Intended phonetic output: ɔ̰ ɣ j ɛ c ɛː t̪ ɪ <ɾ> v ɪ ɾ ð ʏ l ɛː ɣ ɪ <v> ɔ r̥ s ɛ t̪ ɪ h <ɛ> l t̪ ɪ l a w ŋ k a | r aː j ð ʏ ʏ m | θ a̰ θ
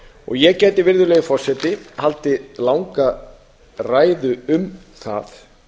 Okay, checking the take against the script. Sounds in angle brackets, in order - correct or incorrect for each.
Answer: incorrect: none, incorrect: f, incorrect: a

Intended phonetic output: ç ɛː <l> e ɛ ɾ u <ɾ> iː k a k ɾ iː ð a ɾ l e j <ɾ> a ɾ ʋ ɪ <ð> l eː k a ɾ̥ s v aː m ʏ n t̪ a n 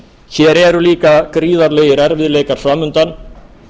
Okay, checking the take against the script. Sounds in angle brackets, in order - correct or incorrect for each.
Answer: incorrect: ɾ, incorrect: l, correct, correct

